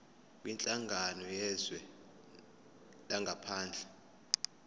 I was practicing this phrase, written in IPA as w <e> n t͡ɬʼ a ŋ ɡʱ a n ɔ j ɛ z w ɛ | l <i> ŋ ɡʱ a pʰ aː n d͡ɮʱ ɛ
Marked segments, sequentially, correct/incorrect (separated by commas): incorrect, incorrect